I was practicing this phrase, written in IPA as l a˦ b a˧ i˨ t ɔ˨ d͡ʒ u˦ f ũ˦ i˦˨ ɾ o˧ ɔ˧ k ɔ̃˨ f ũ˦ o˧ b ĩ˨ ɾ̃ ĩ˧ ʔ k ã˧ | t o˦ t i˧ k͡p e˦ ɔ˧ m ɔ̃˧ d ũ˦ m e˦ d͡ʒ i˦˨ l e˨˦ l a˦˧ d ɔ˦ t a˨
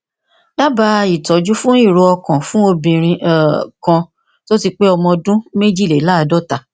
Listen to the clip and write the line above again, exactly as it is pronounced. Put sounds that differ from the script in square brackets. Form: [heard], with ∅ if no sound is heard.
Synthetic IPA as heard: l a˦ b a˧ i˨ t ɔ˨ d͡ʒ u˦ f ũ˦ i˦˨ ɾ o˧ ɔ˧ k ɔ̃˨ f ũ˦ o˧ b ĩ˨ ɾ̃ ĩ˧ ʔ k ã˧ | t o˦ t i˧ k͡p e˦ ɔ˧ m ɔ̃˧ d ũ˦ m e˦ d͡ʒ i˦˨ l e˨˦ l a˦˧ d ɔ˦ t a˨

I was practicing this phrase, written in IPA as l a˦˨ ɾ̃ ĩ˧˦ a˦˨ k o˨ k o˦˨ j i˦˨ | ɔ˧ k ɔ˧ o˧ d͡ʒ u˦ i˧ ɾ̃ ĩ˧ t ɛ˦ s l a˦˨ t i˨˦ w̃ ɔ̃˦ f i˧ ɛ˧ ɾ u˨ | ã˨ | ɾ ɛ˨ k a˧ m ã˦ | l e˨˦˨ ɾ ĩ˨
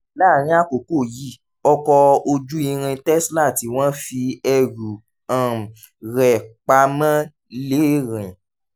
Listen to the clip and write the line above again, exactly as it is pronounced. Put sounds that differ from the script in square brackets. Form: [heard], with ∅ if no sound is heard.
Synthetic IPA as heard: l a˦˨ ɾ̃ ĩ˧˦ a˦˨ k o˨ k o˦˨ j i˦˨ | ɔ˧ k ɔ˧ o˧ d͡ʒ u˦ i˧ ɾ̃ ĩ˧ t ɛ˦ s l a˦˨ t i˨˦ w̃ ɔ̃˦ f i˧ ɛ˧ ɾ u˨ | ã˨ | ɾ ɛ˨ [k͡p] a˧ m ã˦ | l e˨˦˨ ɾ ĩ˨

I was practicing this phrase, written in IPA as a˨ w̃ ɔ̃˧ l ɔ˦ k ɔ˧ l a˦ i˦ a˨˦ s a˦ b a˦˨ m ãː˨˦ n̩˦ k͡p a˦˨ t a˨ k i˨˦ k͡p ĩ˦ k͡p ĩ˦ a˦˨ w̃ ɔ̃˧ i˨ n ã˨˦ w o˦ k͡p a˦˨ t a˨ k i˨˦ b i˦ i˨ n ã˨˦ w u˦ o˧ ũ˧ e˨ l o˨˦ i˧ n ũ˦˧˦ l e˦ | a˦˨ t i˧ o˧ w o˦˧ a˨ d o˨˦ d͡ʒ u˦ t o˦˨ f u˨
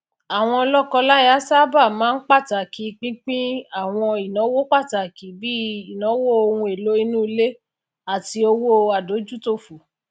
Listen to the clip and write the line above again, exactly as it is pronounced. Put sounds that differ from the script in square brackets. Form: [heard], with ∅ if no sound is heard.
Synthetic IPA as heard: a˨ w̃ ɔ̃˧ l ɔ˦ k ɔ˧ l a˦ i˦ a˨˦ s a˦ b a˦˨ m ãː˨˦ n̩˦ k͡p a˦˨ t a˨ k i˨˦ k͡p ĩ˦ k͡p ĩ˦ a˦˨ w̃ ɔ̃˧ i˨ n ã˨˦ w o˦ k͡p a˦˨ t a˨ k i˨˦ b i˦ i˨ n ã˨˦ w [o˦] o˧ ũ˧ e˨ l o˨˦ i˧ n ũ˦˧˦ l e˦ | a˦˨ t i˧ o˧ w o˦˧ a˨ d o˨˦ d͡ʒ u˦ t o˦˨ f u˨

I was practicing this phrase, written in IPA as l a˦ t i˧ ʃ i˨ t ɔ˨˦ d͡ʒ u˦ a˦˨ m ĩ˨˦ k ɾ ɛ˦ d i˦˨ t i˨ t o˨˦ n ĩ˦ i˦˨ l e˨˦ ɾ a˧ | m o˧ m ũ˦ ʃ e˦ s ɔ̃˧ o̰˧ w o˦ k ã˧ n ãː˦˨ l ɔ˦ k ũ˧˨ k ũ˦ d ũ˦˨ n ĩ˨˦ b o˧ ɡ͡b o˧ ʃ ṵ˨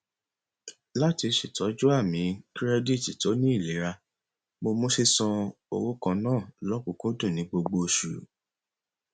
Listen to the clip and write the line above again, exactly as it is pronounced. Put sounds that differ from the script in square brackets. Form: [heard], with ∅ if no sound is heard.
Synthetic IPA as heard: l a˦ t i˧ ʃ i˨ t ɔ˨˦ d͡ʒ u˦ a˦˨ m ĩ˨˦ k ɾ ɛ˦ d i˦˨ t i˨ t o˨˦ n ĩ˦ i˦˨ l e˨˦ ɾ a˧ | m o˧ m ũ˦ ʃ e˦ s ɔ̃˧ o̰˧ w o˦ k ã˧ n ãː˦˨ l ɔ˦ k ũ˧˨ k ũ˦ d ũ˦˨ n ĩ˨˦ [ɡ͡b] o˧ ɡ͡b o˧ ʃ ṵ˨

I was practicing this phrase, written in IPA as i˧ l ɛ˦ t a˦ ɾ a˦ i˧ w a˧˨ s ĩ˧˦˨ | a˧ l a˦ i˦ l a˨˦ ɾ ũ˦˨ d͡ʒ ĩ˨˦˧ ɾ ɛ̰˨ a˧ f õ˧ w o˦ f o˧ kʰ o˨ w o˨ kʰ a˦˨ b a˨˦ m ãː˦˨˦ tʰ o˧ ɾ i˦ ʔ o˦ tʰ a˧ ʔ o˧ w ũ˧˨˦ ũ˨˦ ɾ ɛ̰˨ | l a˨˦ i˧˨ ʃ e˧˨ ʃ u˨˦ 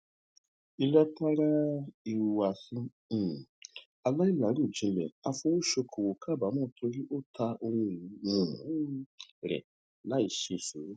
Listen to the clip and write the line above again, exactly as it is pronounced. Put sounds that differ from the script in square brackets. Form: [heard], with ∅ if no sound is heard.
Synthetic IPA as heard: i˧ l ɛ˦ t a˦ ɾ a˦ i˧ w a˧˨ s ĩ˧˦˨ | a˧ l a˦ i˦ l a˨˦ ɾ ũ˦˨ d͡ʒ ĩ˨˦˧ [l] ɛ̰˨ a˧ f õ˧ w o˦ [ʃ] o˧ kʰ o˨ w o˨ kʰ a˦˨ b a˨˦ m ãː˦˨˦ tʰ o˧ ɾ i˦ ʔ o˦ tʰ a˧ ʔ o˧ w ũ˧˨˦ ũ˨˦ ɾ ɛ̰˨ | l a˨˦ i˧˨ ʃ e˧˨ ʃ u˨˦

